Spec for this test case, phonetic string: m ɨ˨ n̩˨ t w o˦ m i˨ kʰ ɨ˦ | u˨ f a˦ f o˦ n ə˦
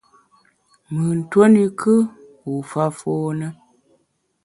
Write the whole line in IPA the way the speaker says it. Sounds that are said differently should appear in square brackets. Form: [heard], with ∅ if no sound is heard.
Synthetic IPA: m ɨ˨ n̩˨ t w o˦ [n] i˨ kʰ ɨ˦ | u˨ f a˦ f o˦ n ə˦